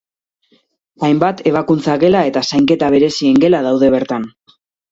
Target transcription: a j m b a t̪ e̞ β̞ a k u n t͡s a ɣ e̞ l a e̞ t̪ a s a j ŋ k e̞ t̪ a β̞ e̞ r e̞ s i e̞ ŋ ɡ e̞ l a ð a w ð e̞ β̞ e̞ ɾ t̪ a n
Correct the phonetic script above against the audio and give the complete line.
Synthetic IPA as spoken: a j m b a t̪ e̞ β̞ a k u n t͡s a ɣ e̞ l a e̞ t̪ a s a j ŋ k e̞ t̪ a β̞ e̞ ɾ e̞ s i e̞ ŋ ɡ e̞ l a ð a w ð e̞ β̞ e̞ ɾ t̪ a n